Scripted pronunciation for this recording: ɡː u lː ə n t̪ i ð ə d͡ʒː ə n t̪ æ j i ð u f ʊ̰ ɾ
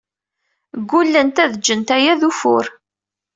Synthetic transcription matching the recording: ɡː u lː ə n t̪ æ ð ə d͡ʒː ə n t̪ æ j æ ð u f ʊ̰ ɾ

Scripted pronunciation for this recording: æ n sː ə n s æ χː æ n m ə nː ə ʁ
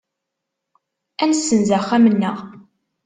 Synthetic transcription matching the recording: æ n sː ə n z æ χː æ m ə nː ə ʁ

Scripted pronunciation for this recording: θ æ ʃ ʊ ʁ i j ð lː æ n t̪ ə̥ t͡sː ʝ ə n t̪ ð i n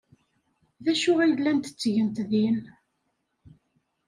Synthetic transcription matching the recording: ð æ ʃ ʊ ʁ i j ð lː æ n t̪ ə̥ t͡sː ʝ ə n t̪ ð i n

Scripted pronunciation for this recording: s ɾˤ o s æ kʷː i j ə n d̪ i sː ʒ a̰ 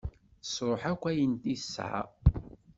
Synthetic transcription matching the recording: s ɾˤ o ħ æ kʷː æ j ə n t̪ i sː ʕ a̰

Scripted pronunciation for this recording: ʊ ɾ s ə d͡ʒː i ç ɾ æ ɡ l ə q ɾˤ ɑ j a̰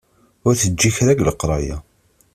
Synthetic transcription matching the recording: ʊ ɾ θ ə d͡ʒː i ç ɾ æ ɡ l ə q ɾˤ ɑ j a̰

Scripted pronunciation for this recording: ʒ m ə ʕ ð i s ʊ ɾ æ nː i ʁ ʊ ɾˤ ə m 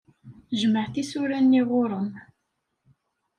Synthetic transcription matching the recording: ʒ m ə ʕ θ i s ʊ ɾ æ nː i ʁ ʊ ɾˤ ə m

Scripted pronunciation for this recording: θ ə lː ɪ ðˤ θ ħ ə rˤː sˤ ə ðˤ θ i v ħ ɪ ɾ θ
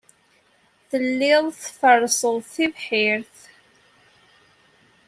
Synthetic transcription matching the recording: θ ə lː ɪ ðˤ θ f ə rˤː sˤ ə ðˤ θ i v ħ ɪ ɾ θ

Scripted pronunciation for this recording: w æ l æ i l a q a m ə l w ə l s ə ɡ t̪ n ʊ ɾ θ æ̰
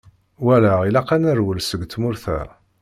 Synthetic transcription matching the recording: w æ l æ i l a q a n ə ɾ w ə l s ə ɡ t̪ m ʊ ɾ θ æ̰

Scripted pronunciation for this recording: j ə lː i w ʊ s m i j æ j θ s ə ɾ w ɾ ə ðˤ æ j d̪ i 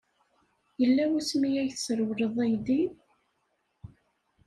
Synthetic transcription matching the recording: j ə lː æ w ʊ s m i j æ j θ s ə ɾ w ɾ ə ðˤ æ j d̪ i

